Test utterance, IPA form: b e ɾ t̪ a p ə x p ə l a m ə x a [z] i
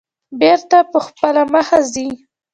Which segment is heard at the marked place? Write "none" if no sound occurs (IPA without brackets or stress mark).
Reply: z